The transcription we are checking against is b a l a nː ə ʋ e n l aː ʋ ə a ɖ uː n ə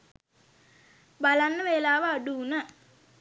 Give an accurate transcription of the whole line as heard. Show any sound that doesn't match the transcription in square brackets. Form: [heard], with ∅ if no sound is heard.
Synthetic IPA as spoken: b a l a nː ə ʋ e [∅] l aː ʋ ə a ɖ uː n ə